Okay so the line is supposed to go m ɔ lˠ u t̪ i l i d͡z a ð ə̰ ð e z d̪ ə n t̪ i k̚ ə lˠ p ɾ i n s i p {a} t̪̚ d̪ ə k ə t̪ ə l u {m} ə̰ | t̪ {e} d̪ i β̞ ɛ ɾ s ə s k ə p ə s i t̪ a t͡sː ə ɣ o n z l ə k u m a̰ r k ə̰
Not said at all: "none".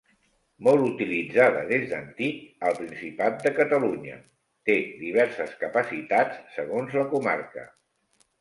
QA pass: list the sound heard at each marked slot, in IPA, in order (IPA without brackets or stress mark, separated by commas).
a, ɲ, e